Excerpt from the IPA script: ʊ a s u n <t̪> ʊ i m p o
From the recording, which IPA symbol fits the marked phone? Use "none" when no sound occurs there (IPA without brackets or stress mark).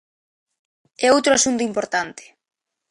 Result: t̪